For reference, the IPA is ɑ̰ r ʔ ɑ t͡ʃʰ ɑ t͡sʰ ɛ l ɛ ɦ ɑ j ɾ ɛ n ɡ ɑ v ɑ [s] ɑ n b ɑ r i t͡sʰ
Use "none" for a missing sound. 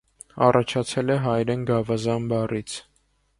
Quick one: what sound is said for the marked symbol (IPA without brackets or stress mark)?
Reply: z